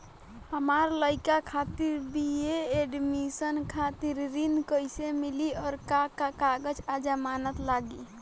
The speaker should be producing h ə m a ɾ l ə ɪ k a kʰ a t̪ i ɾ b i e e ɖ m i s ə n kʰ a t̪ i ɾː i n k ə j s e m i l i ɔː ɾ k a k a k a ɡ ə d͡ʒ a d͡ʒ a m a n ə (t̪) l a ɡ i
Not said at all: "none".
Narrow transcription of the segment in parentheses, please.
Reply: t̪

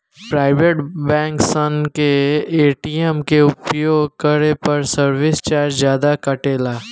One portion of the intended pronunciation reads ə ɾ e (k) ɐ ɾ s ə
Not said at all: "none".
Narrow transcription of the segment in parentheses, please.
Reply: p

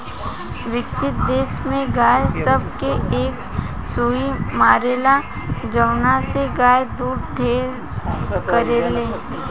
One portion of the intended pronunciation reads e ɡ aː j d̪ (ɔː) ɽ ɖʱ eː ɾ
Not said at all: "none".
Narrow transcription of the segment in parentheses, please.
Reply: uː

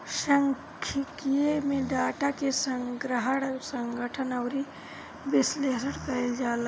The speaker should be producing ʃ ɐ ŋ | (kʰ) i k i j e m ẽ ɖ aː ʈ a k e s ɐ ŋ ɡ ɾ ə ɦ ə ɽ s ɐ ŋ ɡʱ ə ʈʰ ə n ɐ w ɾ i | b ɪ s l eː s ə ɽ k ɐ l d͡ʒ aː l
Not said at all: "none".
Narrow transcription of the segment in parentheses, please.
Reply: kʰ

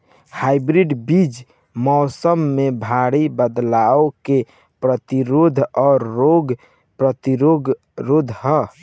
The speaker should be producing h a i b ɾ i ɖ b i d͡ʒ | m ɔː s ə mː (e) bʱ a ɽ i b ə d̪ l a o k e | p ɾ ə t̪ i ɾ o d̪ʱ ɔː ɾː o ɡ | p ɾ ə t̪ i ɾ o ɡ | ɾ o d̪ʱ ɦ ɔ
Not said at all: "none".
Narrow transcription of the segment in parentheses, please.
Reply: e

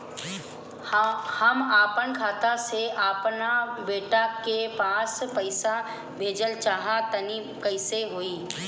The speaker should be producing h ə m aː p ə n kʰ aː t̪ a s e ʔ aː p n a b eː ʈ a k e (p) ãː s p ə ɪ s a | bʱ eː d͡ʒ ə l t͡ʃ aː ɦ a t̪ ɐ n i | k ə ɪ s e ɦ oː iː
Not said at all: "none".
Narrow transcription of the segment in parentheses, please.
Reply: p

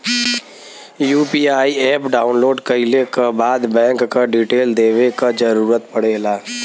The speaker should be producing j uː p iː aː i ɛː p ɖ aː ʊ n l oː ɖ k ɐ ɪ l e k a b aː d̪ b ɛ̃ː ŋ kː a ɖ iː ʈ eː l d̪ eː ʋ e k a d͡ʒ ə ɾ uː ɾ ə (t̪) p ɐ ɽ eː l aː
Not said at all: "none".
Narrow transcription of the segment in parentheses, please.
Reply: t̪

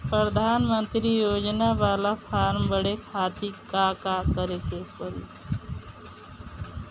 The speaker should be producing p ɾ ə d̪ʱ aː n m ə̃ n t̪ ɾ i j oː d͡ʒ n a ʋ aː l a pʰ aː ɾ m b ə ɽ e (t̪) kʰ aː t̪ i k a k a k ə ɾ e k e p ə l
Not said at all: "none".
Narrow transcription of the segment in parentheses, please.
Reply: none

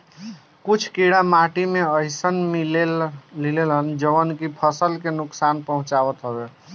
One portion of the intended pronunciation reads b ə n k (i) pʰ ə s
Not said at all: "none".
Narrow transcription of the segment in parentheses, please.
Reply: i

